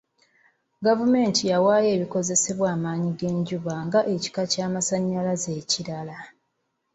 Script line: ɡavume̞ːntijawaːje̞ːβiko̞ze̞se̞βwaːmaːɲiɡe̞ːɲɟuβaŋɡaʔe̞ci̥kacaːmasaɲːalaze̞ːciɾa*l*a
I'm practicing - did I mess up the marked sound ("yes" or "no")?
no